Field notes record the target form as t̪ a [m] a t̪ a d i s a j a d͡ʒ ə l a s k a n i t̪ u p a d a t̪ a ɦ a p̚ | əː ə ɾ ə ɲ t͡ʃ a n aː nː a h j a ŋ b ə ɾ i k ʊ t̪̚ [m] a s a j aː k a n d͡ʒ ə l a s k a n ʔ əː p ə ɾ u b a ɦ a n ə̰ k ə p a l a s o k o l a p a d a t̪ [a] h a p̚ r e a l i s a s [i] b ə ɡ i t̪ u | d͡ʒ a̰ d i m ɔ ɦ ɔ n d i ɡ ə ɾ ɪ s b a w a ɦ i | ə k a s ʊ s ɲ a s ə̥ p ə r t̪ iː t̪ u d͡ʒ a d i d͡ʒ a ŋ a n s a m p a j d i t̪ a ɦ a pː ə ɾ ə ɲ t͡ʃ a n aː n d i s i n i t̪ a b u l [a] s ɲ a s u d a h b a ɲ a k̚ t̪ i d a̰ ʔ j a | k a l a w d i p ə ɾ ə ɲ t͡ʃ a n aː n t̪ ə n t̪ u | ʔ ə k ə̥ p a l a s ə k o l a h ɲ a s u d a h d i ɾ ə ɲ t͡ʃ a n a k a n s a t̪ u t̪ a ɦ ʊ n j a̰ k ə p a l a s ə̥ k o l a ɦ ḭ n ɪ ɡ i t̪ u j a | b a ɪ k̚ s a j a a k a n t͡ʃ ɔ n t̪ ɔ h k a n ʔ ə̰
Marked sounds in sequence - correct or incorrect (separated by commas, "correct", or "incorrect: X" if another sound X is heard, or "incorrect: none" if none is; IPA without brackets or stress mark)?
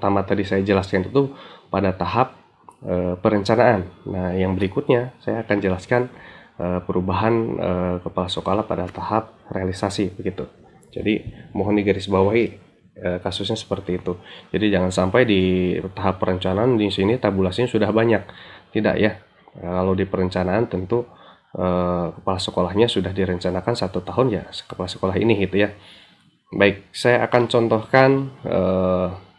correct, incorrect: ɲ, correct, correct, correct